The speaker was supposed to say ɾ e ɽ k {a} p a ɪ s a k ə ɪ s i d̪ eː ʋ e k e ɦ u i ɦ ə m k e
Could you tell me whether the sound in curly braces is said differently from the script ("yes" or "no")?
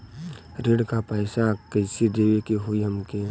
no